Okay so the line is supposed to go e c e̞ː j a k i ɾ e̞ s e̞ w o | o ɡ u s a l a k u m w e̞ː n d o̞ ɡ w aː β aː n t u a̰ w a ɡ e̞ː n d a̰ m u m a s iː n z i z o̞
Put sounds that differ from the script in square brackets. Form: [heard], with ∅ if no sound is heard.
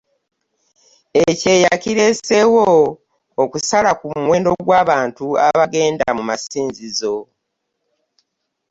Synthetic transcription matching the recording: e c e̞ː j a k i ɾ e̞ s e̞ w o | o [k] u s a l a k u m w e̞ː n d o̞ ɡ w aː β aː n t u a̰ [β] a ɡ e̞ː n d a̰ m u m a s iː n z i z o̞

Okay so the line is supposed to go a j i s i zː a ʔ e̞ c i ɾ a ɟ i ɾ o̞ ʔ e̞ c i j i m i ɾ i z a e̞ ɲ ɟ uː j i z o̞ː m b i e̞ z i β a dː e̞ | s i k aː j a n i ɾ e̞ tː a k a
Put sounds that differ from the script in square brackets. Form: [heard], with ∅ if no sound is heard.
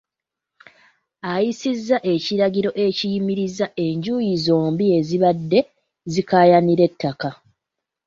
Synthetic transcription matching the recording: a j i s i zː a ʔ e̞ c i ɾ a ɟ i ɾ o̞ ʔ e̞ c i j i m i ɾ i z a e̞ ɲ ɟ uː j i z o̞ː m b i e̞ z i β a dː e̞ | [z] i k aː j a n i ɾ e̞ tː a k a

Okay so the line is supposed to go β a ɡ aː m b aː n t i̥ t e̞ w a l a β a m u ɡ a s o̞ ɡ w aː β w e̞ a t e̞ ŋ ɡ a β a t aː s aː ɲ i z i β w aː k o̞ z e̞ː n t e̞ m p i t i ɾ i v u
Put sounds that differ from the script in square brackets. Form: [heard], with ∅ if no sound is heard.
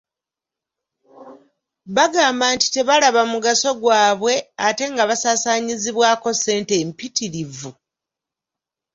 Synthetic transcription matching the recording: β a ɡ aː m b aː n t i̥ t e̞ [β] a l a β a m u ɡ a s o̞ ɡ w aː β w e̞ a t e̞ ŋ ɡ a β a [s] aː s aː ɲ i z i β w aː k o̞ [s] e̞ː n t e̞ m p i t i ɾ i v u

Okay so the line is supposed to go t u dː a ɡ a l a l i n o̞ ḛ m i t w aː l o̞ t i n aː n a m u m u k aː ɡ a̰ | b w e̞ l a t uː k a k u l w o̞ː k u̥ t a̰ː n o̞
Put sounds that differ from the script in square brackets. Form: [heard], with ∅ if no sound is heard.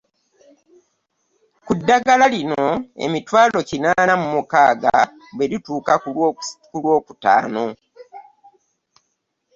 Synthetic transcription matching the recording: [k] u dː a ɡ a l a l i n o̞ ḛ m i t w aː l o̞ [c] i n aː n a m u m u k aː ɡ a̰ | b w e̞ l [i] t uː k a k u l w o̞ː k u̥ t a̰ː n o̞

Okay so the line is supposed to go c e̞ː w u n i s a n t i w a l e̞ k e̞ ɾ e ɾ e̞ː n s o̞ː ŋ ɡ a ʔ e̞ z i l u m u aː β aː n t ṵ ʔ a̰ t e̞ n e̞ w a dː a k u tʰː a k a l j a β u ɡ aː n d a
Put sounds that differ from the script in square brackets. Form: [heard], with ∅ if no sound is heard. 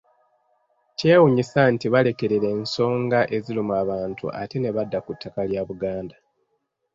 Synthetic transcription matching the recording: c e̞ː w u [ɲ] i s a n t i [β] a l e̞ k e̞ ɾ e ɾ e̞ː n s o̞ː ŋ ɡ a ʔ e̞ z i l u m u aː β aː n t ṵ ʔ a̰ t e̞ n e̞ [β] a dː a k u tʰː a k a l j a β u ɡ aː n d a

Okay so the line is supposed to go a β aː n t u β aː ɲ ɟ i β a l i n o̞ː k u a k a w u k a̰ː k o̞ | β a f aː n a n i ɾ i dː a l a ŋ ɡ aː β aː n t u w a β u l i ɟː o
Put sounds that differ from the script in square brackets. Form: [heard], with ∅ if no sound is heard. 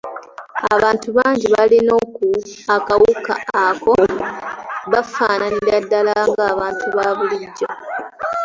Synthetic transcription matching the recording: a β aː n t u β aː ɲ ɟ i β a l i n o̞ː k u a k a w u k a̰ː k o̞ | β a f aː n a n i ɾ [a] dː a l a ŋ ɡ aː β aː n t u [β] a β u l i ɟː o

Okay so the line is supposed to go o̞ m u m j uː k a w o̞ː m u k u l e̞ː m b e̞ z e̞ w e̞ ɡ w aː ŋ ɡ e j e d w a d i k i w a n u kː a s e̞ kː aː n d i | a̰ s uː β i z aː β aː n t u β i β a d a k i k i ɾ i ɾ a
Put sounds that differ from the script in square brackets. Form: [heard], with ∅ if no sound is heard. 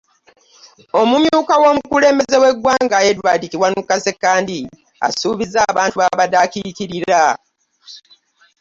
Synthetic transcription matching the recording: o̞ m u m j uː k a w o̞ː m u k u l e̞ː m b e̞ z e̞ w e̞ ɡ w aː ŋ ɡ [a] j e d w a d i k i w a n u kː a s e̞ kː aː n d i | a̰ s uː β i z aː β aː n t u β [a] β a d a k i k i ɾ i ɾ a

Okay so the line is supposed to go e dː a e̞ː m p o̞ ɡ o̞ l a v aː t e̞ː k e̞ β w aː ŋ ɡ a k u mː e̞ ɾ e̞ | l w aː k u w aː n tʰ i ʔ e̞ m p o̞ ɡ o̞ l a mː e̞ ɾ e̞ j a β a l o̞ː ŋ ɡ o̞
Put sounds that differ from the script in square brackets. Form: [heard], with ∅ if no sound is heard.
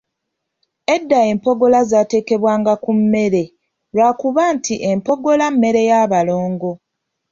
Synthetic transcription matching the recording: e dː a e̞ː m p o̞ ɡ o̞ l a [z] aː t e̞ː k e̞ β w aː ŋ ɡ a k u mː e̞ ɾ e̞ | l w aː k u [β] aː n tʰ i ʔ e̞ m p o̞ ɡ o̞ l a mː e̞ ɾ e̞ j a β a l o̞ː ŋ ɡ o̞

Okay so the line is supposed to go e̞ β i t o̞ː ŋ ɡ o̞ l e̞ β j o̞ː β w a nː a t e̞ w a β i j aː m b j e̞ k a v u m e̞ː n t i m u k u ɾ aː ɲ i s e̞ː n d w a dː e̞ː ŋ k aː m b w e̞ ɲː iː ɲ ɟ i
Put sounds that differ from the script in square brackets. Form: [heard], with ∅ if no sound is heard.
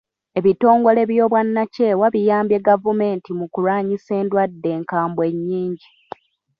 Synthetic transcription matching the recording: e̞ β i t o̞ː ŋ ɡ o̞ l e̞ β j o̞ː β w a nː a [c] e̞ w a β i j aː m b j e̞ [ɡ] a v u m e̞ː n t i m u k u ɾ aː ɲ i s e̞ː n d w a dː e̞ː ŋ k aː m b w e̞ ɲː iː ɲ ɟ i

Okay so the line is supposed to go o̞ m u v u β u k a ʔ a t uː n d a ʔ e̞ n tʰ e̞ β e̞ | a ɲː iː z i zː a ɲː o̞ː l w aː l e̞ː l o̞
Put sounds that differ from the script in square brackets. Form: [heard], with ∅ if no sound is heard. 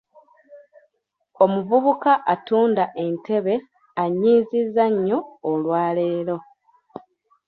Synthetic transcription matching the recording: o̞ m u v u β u k a ʔ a t uː n d a ʔ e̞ n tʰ e̞ β e̞ | a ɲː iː z i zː a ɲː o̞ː l w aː l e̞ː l o̞

